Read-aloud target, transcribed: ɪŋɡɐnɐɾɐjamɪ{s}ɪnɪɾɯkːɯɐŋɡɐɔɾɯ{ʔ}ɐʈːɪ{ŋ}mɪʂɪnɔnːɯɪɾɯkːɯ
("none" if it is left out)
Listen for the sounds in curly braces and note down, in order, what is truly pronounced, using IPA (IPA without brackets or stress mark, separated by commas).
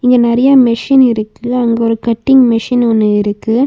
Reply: ʂ, k, ŋ